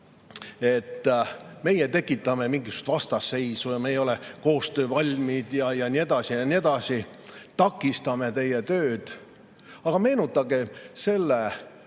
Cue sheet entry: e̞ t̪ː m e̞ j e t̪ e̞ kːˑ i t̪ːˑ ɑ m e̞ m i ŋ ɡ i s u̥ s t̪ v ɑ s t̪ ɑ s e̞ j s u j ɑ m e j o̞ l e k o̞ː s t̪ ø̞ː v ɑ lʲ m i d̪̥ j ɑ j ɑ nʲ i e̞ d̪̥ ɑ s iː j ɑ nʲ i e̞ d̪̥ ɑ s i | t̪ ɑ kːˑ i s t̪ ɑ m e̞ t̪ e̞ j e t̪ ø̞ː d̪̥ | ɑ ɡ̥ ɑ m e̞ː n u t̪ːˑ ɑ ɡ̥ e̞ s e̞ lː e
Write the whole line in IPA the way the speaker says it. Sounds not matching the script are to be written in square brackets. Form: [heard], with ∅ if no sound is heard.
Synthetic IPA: e̞ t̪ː m e̞ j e t̪ e̞ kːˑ i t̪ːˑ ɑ m e̞ m i ŋ ɡ i s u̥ s t̪ v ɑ s t̪ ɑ s e̞ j s u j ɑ m e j o̞ l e k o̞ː s t̪ ø̞ː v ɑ lʲ m i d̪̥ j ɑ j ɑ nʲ i e̞ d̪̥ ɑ s [i] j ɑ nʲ i e̞ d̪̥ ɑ s i | t̪ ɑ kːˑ i s t̪ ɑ m e̞ t̪ e̞ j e t̪ ø̞ː d̪̥ | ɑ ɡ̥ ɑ m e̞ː n u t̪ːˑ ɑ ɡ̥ e̞ s e̞ lː e

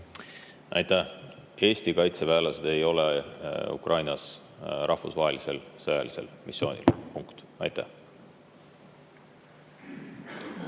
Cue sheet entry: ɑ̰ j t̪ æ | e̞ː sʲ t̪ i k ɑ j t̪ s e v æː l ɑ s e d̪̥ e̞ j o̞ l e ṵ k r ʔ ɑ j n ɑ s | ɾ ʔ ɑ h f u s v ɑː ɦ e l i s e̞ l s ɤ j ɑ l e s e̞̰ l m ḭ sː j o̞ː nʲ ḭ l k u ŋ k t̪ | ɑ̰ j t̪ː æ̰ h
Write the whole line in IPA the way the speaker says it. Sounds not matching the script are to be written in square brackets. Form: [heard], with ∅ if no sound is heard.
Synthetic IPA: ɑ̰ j t̪ æ | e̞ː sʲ t̪ i k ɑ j t̪ s e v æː l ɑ s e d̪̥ e̞ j o̞ l e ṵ k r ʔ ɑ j n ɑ s | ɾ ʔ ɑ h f u s v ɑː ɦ e l i s e̞ l s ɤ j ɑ l [i] s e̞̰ l m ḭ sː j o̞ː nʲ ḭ l [p] u ŋ k t̪ | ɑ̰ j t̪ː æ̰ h

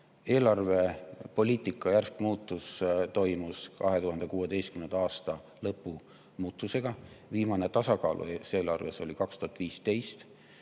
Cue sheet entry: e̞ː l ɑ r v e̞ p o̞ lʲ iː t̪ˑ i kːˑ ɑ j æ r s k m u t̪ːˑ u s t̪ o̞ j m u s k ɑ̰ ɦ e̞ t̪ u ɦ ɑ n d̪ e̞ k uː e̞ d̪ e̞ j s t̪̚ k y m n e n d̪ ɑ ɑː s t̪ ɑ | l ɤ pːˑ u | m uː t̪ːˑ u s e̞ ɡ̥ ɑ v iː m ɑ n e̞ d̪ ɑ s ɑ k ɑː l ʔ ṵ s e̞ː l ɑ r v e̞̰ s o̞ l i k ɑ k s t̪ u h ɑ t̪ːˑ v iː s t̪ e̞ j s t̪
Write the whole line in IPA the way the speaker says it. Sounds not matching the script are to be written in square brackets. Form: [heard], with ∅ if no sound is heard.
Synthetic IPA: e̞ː l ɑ r v e̞ p o̞ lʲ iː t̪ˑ i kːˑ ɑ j æ r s k m [uː] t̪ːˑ u s t̪ o̞ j m u s k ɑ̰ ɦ e̞ t̪ u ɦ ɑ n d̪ e̞ k uː e̞ d̪ e̞ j s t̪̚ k y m n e n d̪ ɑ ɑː s t̪ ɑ | l ɤ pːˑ u | m uː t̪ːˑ u s e̞ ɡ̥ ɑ v iː m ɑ n e̞ [t̪] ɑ s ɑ k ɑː l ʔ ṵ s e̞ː l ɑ r v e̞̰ s o̞ l i k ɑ k s t̪ u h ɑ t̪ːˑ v iː s t̪ e̞ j s t̪

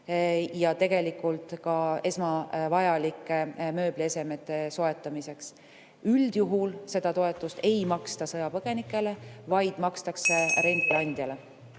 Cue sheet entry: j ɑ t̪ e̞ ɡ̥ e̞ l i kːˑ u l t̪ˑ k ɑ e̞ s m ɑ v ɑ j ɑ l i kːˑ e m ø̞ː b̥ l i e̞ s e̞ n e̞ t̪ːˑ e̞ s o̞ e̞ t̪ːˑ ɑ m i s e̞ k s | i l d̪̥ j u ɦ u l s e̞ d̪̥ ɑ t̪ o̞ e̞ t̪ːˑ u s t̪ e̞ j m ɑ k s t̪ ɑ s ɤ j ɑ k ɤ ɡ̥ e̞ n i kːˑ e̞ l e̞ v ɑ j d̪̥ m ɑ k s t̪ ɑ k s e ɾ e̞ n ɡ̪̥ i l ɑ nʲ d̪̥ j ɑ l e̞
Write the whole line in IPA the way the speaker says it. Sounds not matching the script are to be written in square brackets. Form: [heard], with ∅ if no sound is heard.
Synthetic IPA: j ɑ t̪ e̞ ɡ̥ e̞ l i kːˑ u l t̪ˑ k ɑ e̞ s m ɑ v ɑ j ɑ l i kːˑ e m ø̞ː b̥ l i e̞ s e̞ [m] e̞ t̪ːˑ e̞ s o̞ e̞ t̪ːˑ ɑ m i s e̞ k s | [y] l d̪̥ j u ɦ u l s e̞ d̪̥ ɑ t̪ o̞ e̞ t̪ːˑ u s t̪ e̞ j m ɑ k s t̪ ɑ s ɤ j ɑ [p] ɤ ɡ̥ e̞ n i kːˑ e̞ l e̞ v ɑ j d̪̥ m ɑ k s t̪ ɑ k s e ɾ e̞ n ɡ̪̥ i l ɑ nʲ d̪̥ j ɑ l e̞

